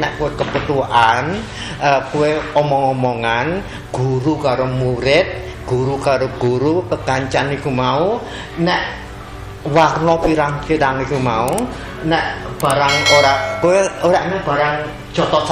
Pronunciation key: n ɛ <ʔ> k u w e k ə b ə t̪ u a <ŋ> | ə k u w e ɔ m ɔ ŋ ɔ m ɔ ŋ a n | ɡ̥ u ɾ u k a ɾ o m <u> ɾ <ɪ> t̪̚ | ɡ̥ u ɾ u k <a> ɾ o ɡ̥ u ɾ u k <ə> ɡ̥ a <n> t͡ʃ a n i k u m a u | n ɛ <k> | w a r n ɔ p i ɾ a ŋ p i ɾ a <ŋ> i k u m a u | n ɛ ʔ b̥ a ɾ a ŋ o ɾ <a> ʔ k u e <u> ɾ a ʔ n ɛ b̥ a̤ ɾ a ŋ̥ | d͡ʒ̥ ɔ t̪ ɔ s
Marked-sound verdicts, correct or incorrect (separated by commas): correct, incorrect, correct, correct, correct, correct, incorrect, incorrect, correct, correct, incorrect